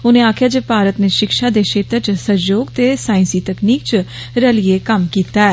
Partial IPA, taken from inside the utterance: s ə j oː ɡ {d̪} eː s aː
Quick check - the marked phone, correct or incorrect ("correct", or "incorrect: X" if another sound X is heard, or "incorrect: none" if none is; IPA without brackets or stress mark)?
incorrect: t̪